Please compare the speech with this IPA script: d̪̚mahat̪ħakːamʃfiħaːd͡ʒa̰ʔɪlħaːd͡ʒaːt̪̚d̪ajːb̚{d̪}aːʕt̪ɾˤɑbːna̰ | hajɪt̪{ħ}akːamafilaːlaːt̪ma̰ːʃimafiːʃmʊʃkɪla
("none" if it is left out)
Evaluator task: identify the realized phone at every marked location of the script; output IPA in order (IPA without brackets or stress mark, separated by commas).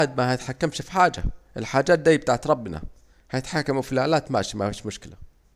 t̪, ħ